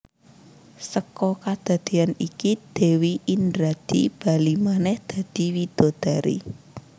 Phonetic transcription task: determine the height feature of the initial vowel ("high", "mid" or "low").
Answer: mid